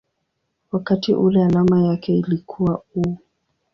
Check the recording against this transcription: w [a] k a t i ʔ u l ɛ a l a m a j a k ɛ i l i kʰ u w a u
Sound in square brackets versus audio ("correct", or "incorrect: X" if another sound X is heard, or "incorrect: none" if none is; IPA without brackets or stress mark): correct